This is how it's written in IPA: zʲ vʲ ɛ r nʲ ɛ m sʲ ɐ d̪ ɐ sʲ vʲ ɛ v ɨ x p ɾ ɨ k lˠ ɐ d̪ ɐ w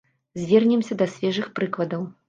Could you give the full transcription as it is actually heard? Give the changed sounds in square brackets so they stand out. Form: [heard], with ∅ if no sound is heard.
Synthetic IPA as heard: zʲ vʲ ɛ r nʲ ɛ m sʲ ɐ d̪ ɐ sʲ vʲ ɛ [ʐ] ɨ x p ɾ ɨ k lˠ ɐ d̪ ɐ w